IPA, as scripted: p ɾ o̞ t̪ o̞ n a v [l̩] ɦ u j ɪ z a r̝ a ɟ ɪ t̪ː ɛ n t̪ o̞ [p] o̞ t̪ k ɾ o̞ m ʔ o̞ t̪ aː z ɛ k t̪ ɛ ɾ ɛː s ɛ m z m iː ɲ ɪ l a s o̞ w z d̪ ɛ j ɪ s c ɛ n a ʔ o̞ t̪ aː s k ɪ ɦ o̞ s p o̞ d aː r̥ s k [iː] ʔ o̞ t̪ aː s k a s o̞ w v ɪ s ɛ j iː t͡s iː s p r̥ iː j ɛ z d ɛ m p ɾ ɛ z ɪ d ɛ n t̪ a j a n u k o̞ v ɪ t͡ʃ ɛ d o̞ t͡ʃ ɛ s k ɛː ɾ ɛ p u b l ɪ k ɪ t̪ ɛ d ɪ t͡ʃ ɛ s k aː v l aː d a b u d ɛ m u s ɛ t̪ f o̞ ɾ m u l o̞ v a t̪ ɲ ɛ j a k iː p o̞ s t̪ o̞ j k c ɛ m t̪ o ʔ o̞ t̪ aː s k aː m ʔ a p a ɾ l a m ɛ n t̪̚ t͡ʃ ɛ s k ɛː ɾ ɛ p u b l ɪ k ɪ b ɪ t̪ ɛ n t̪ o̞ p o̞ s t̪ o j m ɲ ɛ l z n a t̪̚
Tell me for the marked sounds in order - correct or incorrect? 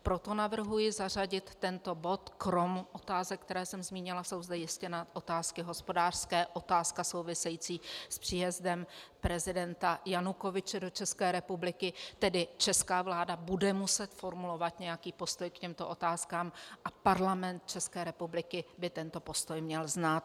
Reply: incorrect, incorrect, incorrect

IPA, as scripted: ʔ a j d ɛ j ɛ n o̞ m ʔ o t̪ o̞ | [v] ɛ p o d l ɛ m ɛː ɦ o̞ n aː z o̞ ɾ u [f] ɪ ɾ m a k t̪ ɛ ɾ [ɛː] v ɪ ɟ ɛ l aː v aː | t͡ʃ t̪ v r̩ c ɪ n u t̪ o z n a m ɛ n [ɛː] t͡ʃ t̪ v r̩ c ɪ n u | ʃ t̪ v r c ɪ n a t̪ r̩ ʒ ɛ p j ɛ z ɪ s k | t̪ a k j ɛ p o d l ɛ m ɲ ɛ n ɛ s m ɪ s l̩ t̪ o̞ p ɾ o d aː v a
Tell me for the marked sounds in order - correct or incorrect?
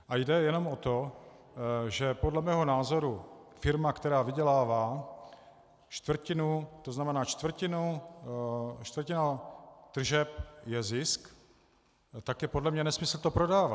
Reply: incorrect, correct, incorrect, incorrect

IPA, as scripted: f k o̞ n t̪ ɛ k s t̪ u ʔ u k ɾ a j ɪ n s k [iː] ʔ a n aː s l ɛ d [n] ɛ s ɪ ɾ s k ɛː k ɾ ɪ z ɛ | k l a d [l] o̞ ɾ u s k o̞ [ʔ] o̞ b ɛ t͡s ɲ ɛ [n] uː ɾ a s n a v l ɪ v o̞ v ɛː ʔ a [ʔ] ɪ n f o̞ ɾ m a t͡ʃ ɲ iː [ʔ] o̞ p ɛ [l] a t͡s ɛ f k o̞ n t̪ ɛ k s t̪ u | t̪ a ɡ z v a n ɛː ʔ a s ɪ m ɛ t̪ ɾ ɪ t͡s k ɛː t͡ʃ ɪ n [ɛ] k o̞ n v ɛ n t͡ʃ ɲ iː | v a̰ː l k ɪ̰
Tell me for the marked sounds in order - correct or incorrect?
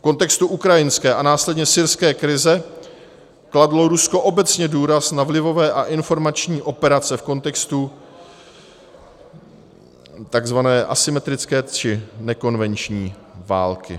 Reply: incorrect, incorrect, correct, correct, incorrect, correct, correct, incorrect, correct

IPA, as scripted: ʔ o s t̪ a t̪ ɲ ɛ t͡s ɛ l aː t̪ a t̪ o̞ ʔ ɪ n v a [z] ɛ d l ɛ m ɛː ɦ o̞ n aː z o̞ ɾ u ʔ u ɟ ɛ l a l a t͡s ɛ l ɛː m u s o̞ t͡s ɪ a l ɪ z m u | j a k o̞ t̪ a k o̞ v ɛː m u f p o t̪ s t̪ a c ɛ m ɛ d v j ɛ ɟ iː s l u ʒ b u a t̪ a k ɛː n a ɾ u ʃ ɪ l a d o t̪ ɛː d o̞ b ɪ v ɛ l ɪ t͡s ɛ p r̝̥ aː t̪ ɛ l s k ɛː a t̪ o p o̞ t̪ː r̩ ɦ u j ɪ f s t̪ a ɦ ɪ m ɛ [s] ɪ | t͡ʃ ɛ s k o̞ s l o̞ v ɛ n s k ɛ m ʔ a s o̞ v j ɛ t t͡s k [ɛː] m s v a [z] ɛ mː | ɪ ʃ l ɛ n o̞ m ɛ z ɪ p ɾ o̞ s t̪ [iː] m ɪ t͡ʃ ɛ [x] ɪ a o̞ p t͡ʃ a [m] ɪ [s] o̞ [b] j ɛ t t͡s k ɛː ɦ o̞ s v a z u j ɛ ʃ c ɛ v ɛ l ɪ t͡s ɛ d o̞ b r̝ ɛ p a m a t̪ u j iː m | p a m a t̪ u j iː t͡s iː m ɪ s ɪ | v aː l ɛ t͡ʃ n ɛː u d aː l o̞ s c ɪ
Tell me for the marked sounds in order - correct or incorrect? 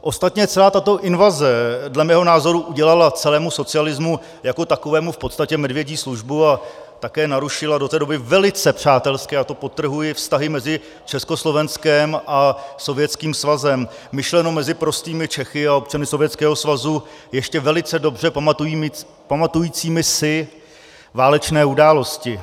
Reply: correct, incorrect, incorrect, correct, correct, correct, incorrect, correct, incorrect

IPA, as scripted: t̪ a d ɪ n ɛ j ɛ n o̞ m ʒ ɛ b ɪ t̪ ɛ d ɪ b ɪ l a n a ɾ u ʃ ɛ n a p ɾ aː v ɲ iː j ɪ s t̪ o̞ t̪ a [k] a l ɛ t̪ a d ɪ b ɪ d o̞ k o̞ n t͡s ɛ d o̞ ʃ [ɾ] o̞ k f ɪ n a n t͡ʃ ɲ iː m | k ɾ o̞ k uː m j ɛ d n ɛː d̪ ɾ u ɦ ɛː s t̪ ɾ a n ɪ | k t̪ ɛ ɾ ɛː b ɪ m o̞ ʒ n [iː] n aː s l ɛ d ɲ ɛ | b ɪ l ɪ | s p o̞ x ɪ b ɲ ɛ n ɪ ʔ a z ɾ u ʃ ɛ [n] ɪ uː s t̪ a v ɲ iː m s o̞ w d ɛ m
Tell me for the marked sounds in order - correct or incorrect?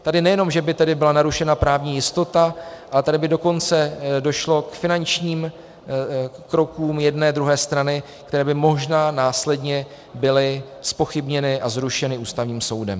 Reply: incorrect, incorrect, incorrect, correct

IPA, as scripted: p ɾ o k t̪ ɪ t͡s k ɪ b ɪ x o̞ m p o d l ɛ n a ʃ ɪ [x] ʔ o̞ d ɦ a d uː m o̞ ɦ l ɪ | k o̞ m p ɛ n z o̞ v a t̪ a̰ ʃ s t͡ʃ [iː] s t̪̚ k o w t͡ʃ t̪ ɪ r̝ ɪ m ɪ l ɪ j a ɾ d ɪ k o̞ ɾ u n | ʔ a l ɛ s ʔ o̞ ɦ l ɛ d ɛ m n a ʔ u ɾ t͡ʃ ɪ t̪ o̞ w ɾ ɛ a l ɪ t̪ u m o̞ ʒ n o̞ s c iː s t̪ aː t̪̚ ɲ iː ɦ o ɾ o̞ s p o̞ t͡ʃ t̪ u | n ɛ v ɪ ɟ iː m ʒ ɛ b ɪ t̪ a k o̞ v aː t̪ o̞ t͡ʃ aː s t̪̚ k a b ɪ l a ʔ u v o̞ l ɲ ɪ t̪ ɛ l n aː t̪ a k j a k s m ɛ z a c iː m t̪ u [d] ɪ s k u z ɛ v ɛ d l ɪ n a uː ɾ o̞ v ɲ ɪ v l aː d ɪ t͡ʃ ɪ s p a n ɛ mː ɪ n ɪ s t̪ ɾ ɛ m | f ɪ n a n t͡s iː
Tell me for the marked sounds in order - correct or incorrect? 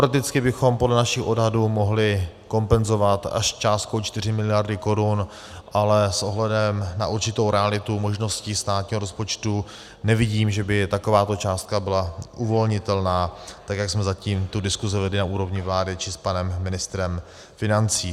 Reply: correct, incorrect, correct

